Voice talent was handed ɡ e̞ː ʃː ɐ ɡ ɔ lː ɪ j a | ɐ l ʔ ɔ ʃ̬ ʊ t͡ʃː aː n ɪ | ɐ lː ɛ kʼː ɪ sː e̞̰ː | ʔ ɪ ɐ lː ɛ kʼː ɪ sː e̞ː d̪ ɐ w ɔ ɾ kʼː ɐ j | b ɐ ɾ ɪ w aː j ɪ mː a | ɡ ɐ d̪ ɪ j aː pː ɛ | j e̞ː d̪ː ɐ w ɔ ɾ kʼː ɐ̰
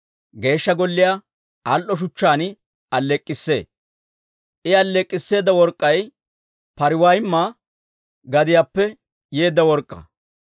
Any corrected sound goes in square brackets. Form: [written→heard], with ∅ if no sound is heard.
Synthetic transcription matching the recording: ɡ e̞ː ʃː ɐ ɡ ɔ lː ɪ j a | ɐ l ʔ ɔ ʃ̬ ʊ t͡ʃː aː n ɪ | ɐ lː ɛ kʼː ɪ sː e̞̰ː | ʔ ɪ ɐ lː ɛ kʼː ɪ sː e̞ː d̪ ɐ w ɔ ɾ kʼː ɐ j | [b→p] ɐ ɾ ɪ w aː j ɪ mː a | ɡ ɐ d̪ ɪ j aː pː ɛ | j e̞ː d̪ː ɐ w ɔ ɾ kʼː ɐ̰

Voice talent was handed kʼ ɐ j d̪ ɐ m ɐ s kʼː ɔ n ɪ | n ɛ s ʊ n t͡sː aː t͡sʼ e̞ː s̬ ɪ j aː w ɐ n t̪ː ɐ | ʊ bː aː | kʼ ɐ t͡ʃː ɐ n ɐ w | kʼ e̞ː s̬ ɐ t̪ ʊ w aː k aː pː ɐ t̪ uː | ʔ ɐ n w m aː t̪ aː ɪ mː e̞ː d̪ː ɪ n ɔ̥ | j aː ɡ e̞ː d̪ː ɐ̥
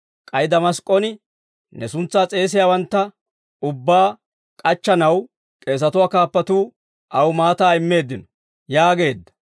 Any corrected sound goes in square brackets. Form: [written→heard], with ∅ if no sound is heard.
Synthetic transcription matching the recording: kʼ ɐ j d̪ ɐ m ɐ s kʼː ɔ n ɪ | n ɛ s ʊ n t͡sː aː t͡sʼ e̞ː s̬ ɪ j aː w ɐ n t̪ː ɐ | ʊ bː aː | kʼ ɐ t͡ʃː ɐ n ɐ w | kʼ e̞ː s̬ ɐ t̪ ʊ w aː k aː pː ɐ t̪ uː | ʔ ɐ [n→∅] w m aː t̪ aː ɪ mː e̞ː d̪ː ɪ n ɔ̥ | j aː ɡ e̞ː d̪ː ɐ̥

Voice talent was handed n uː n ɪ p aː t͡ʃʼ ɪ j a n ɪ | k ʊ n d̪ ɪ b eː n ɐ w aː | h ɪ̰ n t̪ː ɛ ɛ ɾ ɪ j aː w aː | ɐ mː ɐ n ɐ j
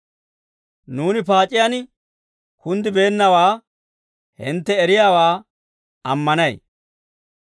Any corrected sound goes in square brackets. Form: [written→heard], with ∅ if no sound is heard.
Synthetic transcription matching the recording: n uː n ɪ p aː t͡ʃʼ ɪ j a n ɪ | k ʊ n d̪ ɪ b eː [n→nː] ɐ w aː | h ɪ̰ n t̪ː ɛ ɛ ɾ ɪ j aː w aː | ɐ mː ɐ n ɐ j

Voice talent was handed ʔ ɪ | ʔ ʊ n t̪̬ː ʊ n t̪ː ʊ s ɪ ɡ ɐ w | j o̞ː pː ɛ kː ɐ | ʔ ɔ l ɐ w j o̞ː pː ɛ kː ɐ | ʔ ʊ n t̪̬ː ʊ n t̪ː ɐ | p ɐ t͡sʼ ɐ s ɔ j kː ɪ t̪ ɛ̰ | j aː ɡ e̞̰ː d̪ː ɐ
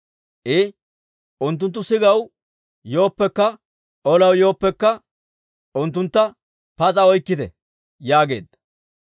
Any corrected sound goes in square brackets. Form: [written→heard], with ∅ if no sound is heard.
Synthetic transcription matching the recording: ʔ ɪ | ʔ ʊ n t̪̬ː ʊ n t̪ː ʊ s ɪ ɡ ɐ w | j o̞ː pː ɛ kː ɐ | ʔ ɔ l ɐ w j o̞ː pː ɛ kː ɐ | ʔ ʊ n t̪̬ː ʊ n t̪ː ɐ | p ɐ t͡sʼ ɐ [s→∅] ɔ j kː ɪ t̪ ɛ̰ | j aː ɡ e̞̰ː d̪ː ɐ

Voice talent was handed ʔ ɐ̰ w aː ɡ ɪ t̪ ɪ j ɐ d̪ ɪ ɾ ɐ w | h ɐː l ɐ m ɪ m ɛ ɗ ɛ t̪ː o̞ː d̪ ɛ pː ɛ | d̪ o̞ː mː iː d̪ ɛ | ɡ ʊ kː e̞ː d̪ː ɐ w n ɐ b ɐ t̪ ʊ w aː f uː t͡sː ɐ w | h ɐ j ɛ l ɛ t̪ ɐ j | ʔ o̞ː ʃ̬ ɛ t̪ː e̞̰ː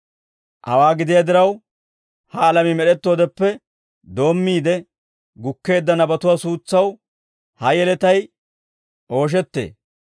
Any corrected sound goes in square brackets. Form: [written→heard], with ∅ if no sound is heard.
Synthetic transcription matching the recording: ʔ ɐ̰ w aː ɡ ɪ [t̪→d̪] ɪ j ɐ d̪ ɪ ɾ ɐ w | h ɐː l ɐ m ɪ m ɛ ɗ ɛ t̪ː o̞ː d̪ ɛ pː ɛ | d̪ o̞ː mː iː d̪ ɛ | ɡ ʊ kː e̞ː d̪ː ɐ [w→∅] n ɐ b ɐ t̪ ʊ w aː [f→s] uː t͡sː ɐ w | h ɐ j ɛ l ɛ t̪ ɐ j | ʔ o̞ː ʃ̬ ɛ t̪ː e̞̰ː

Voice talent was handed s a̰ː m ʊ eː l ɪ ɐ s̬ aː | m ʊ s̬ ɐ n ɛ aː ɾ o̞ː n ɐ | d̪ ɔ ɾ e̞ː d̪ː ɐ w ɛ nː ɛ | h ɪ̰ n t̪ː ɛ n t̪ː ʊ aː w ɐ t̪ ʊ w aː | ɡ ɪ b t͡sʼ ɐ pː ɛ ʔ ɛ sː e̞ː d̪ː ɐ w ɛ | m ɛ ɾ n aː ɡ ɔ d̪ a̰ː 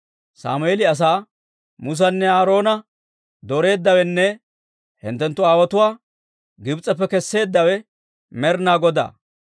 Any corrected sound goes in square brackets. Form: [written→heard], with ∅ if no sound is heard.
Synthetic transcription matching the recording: s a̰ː m ʊ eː l ɪ ɐ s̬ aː | m ʊ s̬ ɐ [n→nː] ɛ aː ɾ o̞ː n ɐ | d̪ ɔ ɾ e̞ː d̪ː ɐ w ɛ nː ɛ | h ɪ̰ n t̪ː ɛ n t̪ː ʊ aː w ɐ t̪ ʊ w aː | ɡ ɪ b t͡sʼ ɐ pː ɛ [ʔ→k] ɛ sː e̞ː d̪ː ɐ w ɛ | m ɛ ɾ n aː ɡ ɔ d̪ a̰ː

